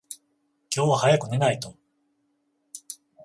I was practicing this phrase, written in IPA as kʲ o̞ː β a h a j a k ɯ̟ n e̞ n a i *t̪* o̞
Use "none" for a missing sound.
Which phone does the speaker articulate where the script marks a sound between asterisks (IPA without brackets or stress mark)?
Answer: t̪